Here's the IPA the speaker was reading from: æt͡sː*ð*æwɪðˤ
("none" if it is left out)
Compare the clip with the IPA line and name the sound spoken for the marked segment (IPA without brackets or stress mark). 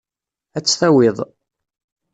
θ